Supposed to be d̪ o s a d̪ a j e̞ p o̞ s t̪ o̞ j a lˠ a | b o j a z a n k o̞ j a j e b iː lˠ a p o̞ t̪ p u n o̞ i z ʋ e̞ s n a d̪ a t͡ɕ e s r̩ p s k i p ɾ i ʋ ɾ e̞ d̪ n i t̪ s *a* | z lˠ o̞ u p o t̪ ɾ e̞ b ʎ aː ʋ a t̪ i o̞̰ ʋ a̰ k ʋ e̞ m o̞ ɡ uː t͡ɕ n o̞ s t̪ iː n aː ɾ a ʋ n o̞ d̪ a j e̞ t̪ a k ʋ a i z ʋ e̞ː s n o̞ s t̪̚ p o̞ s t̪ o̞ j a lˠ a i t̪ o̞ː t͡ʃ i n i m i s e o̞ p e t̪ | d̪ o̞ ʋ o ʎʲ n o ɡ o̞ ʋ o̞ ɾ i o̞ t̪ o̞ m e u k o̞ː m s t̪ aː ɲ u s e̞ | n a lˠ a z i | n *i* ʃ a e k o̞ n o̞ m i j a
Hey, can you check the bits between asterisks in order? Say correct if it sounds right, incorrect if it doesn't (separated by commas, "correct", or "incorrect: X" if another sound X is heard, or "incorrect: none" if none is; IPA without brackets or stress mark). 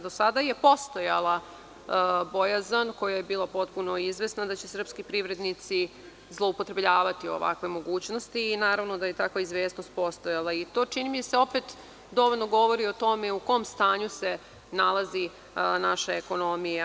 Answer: incorrect: i, incorrect: a